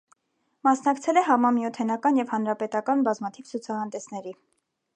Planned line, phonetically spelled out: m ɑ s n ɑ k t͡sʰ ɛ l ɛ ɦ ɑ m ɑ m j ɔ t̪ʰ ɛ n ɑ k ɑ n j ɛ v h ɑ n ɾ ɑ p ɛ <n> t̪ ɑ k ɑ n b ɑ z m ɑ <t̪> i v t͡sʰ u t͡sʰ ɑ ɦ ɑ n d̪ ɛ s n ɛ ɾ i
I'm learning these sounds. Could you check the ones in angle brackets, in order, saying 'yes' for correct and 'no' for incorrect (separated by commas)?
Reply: no, no